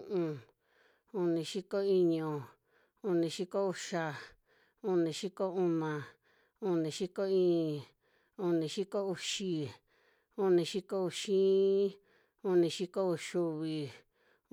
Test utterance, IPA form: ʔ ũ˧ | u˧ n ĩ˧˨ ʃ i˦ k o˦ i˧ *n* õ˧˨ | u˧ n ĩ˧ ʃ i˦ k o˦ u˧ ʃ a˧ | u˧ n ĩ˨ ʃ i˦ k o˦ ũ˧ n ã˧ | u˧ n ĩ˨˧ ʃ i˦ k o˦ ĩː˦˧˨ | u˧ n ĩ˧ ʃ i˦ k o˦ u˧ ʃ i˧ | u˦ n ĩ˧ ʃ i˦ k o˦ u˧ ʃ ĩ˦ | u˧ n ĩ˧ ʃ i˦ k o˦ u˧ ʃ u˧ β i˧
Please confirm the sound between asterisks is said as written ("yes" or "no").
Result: no